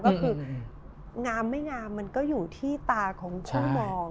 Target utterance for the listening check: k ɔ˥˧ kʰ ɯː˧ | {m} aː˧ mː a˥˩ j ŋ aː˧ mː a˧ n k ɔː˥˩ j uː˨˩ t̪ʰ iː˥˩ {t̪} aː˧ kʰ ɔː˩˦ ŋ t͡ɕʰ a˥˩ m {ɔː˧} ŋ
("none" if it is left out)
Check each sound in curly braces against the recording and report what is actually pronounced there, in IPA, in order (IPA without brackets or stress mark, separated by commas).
ŋ, t̪, ɔː˧